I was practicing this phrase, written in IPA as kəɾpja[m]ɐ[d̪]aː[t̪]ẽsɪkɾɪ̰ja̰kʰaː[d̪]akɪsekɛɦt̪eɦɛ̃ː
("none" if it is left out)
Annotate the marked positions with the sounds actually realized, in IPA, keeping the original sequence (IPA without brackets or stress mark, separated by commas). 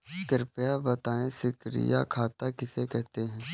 b, t̪, none, t̪